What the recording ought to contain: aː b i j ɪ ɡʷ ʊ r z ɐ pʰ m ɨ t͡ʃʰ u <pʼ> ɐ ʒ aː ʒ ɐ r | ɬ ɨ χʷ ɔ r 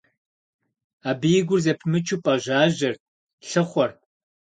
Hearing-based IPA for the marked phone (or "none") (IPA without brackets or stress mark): pʼ